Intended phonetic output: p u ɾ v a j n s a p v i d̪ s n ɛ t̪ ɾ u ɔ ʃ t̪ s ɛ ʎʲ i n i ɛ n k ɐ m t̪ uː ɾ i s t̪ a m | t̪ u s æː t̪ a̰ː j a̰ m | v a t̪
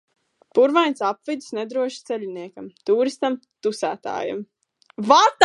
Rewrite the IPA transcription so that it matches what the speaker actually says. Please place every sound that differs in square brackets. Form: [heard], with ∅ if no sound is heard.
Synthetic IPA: p u ɾ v a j n s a p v i d̪ s n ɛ [d̪] ɾ u ɔ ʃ t̪ s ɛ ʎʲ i n i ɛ [∅] k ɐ m t̪ uː ɾ i s t̪ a m | t̪ u s æː t̪ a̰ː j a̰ m | v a t̪